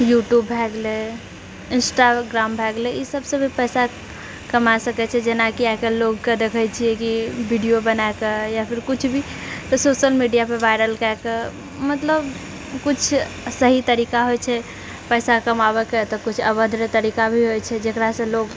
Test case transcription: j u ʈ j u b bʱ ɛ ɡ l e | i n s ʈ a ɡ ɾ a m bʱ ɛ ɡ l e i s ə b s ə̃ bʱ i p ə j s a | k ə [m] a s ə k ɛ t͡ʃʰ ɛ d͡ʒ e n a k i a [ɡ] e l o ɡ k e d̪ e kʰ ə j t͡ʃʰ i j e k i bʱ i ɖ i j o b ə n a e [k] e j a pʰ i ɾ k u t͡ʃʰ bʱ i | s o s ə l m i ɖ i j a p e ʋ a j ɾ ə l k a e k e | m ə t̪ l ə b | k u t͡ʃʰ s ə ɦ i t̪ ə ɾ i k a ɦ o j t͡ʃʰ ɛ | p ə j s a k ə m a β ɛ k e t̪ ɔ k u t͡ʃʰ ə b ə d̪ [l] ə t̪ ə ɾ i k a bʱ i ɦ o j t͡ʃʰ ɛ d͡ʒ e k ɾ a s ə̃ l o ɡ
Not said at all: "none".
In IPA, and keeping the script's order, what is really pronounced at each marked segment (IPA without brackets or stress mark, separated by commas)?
m, k, k, ɾ